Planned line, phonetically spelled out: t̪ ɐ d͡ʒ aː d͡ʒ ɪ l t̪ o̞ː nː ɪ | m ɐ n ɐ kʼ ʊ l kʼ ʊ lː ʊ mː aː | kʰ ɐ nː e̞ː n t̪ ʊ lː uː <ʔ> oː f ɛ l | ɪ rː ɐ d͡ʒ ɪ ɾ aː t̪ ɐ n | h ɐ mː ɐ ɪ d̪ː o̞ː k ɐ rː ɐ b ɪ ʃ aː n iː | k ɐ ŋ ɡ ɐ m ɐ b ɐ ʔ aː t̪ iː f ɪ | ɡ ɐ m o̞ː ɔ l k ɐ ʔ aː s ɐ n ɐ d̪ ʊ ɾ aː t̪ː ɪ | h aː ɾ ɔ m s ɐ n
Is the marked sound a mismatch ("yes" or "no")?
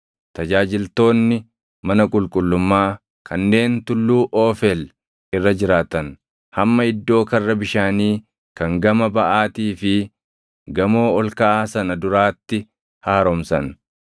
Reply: no